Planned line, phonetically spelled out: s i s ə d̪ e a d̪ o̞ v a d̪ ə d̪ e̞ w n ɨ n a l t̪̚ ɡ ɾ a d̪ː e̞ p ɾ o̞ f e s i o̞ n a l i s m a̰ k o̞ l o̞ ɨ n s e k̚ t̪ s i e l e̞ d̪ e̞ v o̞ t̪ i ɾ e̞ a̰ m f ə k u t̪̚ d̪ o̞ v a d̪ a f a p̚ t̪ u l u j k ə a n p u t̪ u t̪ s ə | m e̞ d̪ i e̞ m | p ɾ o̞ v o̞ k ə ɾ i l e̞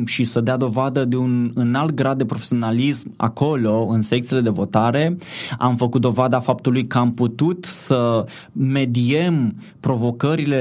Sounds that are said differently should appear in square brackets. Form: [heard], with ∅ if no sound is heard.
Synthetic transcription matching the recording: [ʃ] i s ə d̪ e a d̪ o̞ v a d̪ ə d̪ e̞ [u] n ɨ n a l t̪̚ ɡ ɾ a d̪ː e̞ p ɾ o̞ f e s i o̞ n a l i s m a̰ k o̞ l o̞ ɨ n s e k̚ t̪ s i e l e̞ d̪ e̞ v o̞ t̪ [a] ɾ e̞ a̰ m f ə k u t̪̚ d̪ o̞ v a d̪ a f a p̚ t̪ u l u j k ə a [m] p u t̪ u t̪ s ə | m e̞ d̪ i e̞ m | p ɾ o̞ v o̞ k ə ɾ i l e̞